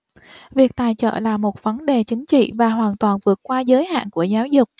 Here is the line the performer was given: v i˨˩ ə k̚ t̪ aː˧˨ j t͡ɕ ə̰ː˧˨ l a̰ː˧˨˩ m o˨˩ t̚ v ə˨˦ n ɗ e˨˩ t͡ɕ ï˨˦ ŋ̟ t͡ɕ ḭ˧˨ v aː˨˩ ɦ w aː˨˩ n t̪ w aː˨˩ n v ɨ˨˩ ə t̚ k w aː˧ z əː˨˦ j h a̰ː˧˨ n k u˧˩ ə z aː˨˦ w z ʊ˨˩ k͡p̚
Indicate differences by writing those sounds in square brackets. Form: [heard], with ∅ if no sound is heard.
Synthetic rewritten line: v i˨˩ ə k̚ t̪ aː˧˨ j t͡ɕ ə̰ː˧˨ l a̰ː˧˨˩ m o˨˩ t̚ v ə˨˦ n ɗ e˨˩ t͡ɕ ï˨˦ ŋ̟ t͡ɕ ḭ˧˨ v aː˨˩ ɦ w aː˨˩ n t̪ w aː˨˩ n v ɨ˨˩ ə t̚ k w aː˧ z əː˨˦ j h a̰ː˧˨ n k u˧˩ ə z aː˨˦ w z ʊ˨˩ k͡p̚